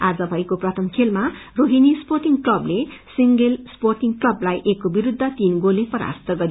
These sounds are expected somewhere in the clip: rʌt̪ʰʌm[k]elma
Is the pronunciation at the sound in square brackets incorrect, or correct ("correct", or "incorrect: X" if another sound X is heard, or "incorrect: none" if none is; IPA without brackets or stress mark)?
incorrect: kʰ